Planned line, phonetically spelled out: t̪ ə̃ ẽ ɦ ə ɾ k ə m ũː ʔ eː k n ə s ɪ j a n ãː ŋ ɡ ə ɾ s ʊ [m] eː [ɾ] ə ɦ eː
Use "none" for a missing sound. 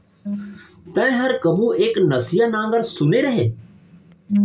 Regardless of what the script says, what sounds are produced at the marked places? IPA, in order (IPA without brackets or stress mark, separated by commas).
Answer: n, ɾ